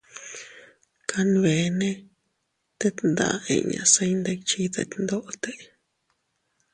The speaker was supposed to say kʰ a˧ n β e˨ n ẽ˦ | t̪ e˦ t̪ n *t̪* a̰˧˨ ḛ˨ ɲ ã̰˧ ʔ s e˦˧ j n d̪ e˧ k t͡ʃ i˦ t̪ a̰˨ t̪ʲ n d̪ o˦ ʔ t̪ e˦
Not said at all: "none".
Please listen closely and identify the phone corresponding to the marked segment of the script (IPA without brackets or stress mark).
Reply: d̪